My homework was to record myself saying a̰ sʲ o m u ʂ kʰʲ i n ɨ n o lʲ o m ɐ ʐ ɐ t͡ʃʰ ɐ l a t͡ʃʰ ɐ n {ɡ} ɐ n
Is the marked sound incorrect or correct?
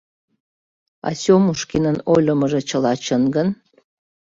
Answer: correct